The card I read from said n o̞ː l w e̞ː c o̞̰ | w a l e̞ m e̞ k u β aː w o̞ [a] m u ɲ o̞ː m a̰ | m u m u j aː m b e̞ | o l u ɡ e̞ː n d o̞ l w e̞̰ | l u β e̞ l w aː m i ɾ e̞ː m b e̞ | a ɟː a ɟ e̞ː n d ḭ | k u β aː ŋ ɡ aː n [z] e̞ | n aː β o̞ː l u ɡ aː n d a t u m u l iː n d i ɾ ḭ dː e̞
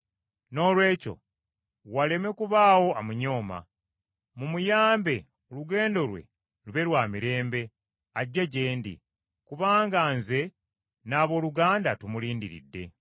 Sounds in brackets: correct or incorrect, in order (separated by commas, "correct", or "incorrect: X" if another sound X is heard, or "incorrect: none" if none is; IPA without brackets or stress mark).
correct, correct